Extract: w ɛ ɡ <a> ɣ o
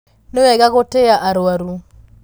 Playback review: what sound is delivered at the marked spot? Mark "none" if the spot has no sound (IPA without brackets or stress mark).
a